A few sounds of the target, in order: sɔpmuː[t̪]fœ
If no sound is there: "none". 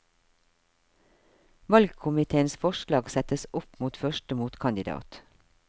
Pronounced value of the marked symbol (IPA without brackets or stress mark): t̪